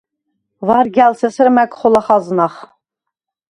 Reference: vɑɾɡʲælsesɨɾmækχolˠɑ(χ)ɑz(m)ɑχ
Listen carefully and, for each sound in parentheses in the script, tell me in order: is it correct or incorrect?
correct, incorrect

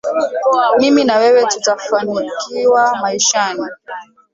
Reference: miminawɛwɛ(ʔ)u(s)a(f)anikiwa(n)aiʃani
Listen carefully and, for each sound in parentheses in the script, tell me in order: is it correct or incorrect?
incorrect, incorrect, correct, incorrect

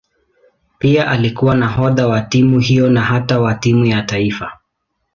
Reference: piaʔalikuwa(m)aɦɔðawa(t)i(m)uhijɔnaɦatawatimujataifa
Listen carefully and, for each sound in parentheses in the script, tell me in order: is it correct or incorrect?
incorrect, correct, correct

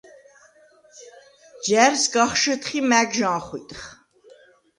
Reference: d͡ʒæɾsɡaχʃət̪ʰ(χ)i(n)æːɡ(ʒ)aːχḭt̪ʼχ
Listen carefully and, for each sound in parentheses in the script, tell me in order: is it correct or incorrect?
correct, incorrect, correct

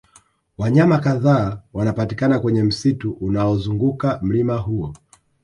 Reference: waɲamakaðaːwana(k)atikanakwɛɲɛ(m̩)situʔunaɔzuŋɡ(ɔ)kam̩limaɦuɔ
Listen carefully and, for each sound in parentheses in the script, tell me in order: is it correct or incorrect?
incorrect, correct, incorrect

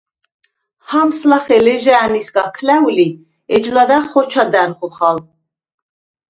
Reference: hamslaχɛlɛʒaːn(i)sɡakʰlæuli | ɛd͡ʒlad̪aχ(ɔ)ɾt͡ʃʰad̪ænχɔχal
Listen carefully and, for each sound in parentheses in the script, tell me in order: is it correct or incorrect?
correct, correct

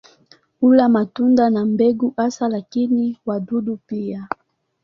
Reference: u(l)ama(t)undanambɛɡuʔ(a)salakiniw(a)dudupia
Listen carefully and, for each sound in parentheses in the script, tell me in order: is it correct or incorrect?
correct, correct, correct, correct

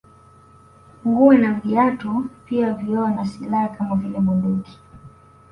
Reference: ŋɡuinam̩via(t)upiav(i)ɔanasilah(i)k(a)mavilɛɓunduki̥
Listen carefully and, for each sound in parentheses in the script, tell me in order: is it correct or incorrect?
correct, correct, incorrect, correct

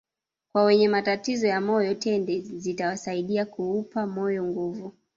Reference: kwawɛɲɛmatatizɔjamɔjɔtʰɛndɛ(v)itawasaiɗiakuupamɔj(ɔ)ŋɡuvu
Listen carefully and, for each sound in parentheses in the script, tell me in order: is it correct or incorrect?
incorrect, correct

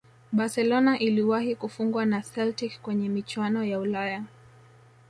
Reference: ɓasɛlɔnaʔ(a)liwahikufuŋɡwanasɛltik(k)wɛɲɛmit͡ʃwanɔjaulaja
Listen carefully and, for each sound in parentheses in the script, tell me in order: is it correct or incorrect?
incorrect, correct

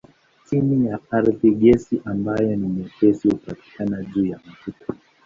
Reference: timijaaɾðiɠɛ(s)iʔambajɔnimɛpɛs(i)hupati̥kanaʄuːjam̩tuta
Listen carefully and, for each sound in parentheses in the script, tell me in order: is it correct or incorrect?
correct, correct

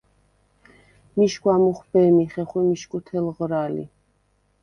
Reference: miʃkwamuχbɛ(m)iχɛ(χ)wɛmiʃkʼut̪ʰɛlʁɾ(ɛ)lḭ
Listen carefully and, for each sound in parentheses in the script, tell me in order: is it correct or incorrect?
correct, correct, incorrect

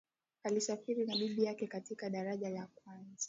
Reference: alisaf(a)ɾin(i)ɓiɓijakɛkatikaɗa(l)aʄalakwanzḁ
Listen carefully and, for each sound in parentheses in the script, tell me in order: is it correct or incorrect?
incorrect, incorrect, incorrect

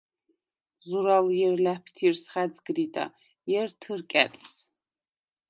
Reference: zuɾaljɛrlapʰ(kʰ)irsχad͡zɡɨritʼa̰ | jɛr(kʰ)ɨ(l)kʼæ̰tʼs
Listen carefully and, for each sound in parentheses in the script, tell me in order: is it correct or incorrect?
incorrect, incorrect, incorrect

